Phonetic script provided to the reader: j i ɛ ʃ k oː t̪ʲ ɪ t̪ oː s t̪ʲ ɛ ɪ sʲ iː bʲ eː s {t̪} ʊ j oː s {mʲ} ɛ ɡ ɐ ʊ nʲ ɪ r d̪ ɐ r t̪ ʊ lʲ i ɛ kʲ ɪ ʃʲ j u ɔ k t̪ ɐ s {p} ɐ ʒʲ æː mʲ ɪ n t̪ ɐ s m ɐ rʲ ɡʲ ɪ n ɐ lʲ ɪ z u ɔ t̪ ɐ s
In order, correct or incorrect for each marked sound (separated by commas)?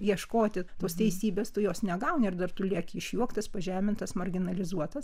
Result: correct, incorrect, correct